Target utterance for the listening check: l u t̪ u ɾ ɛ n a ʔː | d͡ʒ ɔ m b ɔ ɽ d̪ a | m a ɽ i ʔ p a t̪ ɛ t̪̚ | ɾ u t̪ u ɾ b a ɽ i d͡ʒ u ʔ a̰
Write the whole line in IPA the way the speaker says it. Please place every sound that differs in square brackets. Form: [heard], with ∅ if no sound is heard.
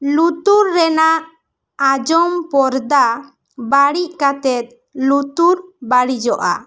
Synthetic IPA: l u t̪ u [ɾː] ɛ n a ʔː | d͡ʒ ɔ m [p] ɔ [ɾ] d̪ a | [b] a ɽ i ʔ [k] a t̪ ɛ t̪̚ | [l] u t̪ u ɾ b a ɽ i d͡ʒ [ɔ] ʔ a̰